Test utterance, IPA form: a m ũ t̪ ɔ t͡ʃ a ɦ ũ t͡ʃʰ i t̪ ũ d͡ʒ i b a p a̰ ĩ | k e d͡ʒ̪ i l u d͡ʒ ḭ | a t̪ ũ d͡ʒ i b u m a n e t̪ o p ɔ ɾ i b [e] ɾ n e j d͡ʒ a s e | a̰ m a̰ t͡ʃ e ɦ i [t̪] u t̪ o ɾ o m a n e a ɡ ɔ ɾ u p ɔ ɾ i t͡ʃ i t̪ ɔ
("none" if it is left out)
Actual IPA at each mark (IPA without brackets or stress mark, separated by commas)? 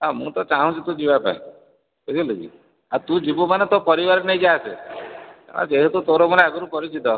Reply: a, t̪